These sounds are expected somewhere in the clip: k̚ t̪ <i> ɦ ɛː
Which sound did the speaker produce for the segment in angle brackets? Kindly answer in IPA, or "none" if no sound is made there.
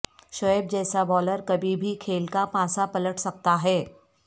a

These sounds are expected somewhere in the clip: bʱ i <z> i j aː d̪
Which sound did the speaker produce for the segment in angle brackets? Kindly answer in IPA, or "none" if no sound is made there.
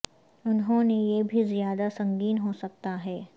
z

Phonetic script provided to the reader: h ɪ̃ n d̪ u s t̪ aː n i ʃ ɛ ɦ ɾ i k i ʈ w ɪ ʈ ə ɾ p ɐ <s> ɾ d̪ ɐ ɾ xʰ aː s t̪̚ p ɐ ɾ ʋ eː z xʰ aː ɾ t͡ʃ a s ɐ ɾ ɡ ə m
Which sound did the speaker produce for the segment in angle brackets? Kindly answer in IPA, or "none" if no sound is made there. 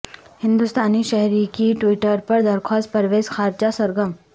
none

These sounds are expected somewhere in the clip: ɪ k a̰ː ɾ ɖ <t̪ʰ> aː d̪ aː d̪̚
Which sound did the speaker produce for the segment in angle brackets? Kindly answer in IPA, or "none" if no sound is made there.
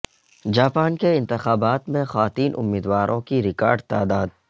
t̪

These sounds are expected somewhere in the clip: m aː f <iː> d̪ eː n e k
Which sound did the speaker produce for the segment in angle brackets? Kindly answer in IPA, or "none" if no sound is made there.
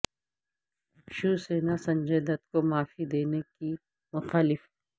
i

